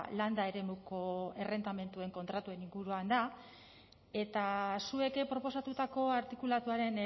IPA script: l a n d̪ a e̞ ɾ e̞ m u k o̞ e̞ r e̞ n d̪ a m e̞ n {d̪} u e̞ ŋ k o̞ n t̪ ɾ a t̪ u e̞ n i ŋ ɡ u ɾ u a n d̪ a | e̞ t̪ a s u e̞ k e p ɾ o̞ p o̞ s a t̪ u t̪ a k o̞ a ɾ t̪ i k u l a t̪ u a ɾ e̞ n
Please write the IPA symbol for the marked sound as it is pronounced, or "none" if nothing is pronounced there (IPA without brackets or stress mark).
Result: t̪